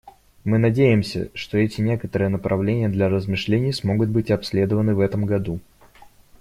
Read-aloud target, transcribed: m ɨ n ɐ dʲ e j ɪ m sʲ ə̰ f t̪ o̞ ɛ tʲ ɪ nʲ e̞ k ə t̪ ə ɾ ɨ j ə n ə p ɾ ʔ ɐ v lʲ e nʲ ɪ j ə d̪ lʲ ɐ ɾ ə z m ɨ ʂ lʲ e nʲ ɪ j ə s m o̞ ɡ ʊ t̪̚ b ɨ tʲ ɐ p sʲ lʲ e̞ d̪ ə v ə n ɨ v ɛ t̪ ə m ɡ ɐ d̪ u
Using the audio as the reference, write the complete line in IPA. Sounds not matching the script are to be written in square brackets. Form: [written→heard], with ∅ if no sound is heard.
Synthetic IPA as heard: m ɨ n ɐ dʲ e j ɪ m sʲ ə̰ [f→ʂ] t̪ o̞ ɛ tʲ ɪ nʲ e̞ k ə t̪ ə ɾ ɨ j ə n ə p ɾ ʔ ɐ v lʲ e nʲ ɪ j ə d̪ lʲ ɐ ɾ ə z m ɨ ʂ lʲ e nʲ ɪ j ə s m o̞ ɡ ʊ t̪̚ b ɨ tʲ ɐ p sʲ lʲ e̞ d̪ ə v ə n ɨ v ɛ t̪ ə m ɡ ɐ d̪ u